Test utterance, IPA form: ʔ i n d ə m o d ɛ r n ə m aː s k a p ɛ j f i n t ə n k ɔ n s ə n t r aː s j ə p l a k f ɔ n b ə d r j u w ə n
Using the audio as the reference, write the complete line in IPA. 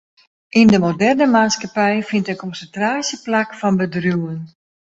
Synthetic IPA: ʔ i n d ə m o d ɛ r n ə m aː s k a p ɛ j f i n t ə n k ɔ n s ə n t r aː s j ə p l a k f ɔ n b ə d r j u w ə n